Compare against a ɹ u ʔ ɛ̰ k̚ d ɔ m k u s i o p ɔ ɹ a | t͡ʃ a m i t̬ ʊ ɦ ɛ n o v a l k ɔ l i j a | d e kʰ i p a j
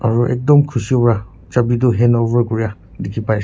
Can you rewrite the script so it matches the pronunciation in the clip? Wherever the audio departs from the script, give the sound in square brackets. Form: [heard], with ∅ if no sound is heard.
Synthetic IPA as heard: a ɹ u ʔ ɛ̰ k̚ d ɔ m [kʰ] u s i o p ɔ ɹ a | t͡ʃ a [b] i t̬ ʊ ɦ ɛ n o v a [ɹ] k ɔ [ɹ] i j a | d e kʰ i p a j